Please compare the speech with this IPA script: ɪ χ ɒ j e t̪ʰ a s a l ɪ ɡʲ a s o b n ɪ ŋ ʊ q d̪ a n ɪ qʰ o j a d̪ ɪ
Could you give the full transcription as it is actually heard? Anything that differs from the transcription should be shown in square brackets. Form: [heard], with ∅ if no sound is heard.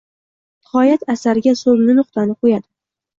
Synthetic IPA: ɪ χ ɒ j [a] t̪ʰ a s a [ɾ] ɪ ɡʲ a s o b n ɪ [n] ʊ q [t̪] a n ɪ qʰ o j a d̪ ɪ